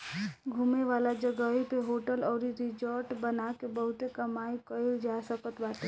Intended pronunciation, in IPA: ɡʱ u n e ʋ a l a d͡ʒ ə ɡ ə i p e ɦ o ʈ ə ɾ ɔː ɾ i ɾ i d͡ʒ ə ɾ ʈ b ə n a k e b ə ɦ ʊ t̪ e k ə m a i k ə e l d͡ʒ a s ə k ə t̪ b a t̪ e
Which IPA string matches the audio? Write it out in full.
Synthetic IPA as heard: ɡʱ u m e ʋ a l a d͡ʒ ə ɡ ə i p e ɦ o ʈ ə l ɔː ɾ i ɾ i d͡ʒ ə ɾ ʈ b ə n a k e b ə ɦ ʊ t̪ e k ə m a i k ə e l d͡ʒ a s ə k ə t̪ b a t̪ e